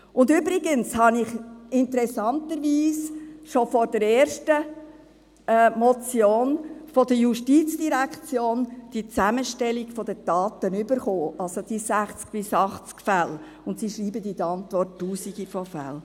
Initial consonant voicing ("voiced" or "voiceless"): voiced